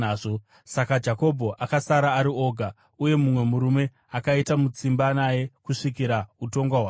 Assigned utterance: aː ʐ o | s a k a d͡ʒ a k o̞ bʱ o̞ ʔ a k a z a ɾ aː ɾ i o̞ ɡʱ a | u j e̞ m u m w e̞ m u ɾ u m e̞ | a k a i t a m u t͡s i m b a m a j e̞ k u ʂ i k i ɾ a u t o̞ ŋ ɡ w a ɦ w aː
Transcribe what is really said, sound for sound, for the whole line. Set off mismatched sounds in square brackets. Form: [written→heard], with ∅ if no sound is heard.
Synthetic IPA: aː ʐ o | s a k a d͡ʒ a k o̞ bʱ o̞ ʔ a k a [z→s] a ɾ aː ɾ i o̞ ɡʱ a | u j e̞ m u m w e̞ m u ɾ u m e̞ | a k a i t a m u t͡s i m b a [m→n] a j e̞ k u ʂ i k i ɾ a u t o̞ ŋ ɡ w a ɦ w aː

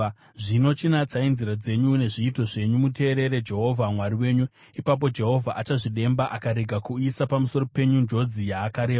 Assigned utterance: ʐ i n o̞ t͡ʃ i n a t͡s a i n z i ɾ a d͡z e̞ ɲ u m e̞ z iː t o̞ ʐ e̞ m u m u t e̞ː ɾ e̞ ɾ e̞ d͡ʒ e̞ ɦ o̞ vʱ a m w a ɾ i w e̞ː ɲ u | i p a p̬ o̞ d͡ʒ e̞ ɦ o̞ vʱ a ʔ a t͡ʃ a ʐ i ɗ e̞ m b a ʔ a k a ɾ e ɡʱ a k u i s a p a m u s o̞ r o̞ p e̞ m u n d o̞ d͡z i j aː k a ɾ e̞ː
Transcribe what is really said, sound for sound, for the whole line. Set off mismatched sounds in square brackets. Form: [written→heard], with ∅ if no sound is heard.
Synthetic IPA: ʐ i n o̞ t͡ʃ i n a t͡s a i n z i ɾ a d͡z e̞ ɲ u [m→n] e̞ [z→ʐ] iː t o̞ ʐ e̞ [m→ɲ] u m u t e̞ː ɾ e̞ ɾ e̞ d͡ʒ e̞ ɦ o̞ vʱ a m w a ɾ i w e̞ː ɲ u | i p a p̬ o̞ d͡ʒ e̞ ɦ o̞ vʱ a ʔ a t͡ʃ a ʐ i ɗ e̞ m b a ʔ a k a ɾ e ɡʱ a k u i s a p a m u s o̞ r o̞ p e̞ [m→ɲ] u n [d→d͡ʒ] o̞ d͡z i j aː k a ɾ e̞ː

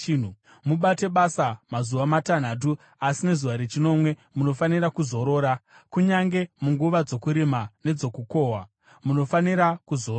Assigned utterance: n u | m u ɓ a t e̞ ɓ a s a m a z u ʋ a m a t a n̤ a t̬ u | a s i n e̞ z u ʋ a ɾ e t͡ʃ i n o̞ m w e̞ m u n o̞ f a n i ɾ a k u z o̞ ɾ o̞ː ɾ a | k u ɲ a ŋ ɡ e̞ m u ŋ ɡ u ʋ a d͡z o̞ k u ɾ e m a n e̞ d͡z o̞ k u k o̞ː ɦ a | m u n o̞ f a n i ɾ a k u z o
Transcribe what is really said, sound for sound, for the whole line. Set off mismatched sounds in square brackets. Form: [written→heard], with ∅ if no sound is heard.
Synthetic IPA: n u | m u ɓ a t e̞ ɓ a s a m a z u ʋ a m a t a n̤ a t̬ u | a s i n e̞ z u ʋ a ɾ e t͡ʃ i n o̞ m w e̞ m u n o̞ f a n i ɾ a k u z o̞ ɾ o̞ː ɾ a | k u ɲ a ŋ ɡ e̞ m u ŋ ɡ u ʋ a d͡z o̞ k u ɾ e m a n e̞ d͡z o̞ k u k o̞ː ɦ a | m u n o̞ f a n i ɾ a k u z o

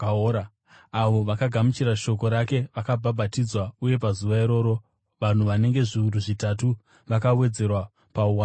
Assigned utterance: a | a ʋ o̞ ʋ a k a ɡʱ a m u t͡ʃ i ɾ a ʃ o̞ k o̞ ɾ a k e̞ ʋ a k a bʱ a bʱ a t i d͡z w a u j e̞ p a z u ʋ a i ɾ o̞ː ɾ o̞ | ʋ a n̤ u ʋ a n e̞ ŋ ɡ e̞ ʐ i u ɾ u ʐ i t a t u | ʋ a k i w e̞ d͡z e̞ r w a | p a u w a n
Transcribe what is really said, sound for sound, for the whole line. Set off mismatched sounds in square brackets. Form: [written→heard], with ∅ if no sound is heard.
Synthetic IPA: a | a ʋ o̞ ʋ a k a ɡʱ a m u t͡ʃ i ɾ a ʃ o̞ k o̞ ɾ a k e̞ ʋ a k a bʱ a bʱ a t i d͡z w a u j e̞ p a z u ʋ a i ɾ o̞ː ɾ o̞ | ʋ a n̤ u ʋ a n e̞ ŋ ɡ e̞ ʐ i u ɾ u ʐ i t a t u | ʋ a k [i→a] w e̞ d͡z e̞ r w a | p a u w a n

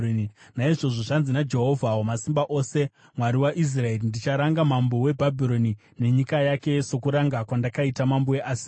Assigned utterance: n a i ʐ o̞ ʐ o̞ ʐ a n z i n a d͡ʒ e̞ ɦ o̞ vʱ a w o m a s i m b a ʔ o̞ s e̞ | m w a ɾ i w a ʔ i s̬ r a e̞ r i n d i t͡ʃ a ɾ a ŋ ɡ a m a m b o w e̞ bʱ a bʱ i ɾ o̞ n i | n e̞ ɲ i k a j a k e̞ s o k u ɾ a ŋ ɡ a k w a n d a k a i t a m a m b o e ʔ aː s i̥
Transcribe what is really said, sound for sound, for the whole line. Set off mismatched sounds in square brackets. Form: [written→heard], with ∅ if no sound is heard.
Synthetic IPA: n a i ʐ o̞ ʐ o̞ ʐ a n z i n a d͡ʒ e̞ ɦ o̞ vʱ a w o m a s i m b a ʔ o̞ s e̞ | m w a ɾ i w a ʔ i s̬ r a e̞ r i n d i t͡ʃ a ɾ a ŋ ɡ a m a m b o w e̞ bʱ a bʱ i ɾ o̞ n i | n e̞ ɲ i k a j a k e̞ s o k u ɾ a ŋ ɡ a k w a n d a k a i t a m a m b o e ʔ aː s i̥

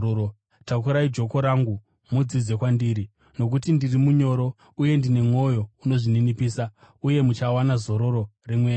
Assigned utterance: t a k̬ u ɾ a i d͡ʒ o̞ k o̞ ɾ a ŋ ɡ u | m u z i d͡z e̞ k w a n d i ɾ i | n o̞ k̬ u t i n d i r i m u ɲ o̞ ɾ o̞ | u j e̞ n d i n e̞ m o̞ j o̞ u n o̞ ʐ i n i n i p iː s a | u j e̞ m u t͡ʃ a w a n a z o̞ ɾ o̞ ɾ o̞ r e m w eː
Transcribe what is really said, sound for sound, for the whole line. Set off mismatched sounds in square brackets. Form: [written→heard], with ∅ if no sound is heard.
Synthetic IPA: t a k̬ u ɾ a i d͡ʒ o̞ k o̞ ɾ a ŋ ɡ u | m u [z→d͡z] i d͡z e̞ k w a n d i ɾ i | n o̞ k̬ u t i n d i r i m u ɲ o̞ ɾ o̞ | u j e̞ n d i n e̞ m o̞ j o̞ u n o̞ ʐ i n i n i p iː s a | u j e̞ m u t͡ʃ a w a n a z o̞ ɾ o̞ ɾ o̞ r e m w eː

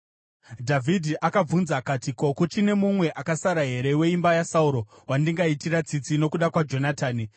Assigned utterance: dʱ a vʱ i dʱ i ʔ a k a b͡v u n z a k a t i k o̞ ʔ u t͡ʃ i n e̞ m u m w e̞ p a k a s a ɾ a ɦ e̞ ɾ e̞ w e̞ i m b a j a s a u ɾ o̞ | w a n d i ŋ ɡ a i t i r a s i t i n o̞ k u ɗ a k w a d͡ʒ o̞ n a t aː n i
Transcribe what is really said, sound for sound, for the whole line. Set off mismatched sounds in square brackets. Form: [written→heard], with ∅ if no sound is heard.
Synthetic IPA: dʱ a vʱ i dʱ i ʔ a k a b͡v u n z a k a t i k o̞ [ʔ→k] u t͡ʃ i n e̞ m u m w e̞ [p→ʔ] a k a s a ɾ a ɦ e̞ ɾ e̞ w e̞ i m b a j a s a u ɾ o̞ | w a n d i ŋ ɡ a i t i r a [s→t͡s] i [t→t͡s] i n o̞ k u ɗ a k w a d͡ʒ o̞ n a t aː n i

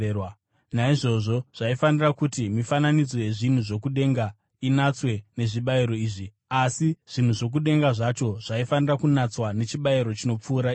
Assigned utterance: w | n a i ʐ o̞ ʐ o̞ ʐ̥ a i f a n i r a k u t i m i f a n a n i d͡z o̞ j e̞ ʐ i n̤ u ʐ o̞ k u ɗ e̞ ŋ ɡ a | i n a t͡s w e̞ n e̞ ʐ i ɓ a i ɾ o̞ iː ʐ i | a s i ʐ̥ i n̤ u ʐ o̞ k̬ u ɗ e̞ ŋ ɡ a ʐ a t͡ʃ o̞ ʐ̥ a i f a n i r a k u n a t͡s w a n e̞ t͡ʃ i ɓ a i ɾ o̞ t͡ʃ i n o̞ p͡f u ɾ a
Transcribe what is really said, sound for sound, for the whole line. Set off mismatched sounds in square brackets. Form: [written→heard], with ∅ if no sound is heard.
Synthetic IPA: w | n a i ʐ o̞ ʐ o̞ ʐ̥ a i f a n i r a k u t i m i f a n a n i d͡z o̞ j e̞ ʐ i n̤ u ʐ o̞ k u ɗ e̞ ŋ ɡ a | i n a t͡s w e̞ n e̞ ʐ i ɓ a i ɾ o̞ iː ʐ i | a s i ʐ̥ i n̤ u ʐ o̞ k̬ u ɗ e̞ ŋ ɡ a ʐ a t͡ʃ o̞ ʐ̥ a i f a n i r a k u n a t͡s w a n e̞ t͡ʃ i ɓ a i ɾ o̞ t͡ʃ i n o̞ p͡f [u→uː] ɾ a

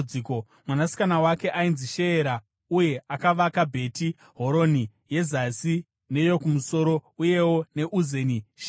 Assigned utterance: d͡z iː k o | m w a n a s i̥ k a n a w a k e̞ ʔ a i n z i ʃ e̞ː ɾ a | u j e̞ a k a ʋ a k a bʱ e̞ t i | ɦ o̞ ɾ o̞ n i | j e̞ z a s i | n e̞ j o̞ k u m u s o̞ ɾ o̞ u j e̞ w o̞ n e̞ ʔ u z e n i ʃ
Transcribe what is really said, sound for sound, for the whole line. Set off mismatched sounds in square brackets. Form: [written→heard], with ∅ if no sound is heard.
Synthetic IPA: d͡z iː k o | m w a n a s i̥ k a n a w a k e̞ ʔ a i n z i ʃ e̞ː ɾ a | u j e̞ a k a ʋ a k a bʱ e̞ t i | ɦ o̞ ɾ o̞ n i | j e̞ z a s i | n e̞ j o̞ k u m u s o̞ ɾ o̞ u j e̞ w o̞ n e̞ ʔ u z e n i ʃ

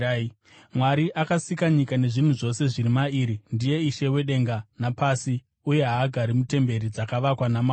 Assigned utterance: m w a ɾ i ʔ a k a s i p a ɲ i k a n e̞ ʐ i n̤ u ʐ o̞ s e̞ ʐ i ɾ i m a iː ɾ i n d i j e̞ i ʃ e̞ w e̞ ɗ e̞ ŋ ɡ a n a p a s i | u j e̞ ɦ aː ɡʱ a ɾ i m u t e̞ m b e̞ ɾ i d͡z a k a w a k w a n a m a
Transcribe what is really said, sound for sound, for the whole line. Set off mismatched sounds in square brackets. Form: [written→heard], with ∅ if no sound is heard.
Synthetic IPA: m w a ɾ i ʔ a k a s i [p→k] a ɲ i k a n e̞ ʐ i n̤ u ʐ o̞ s e̞ ʐ i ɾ i m a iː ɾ i n d i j e̞ i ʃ e̞ w e̞ ɗ e̞ ŋ ɡ a n a p a s i | u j e̞ ɦ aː ɡʱ a ɾ i m u t e̞ m b e̞ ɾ i d͡z a k a [w→ʋ] a k w a n a m a

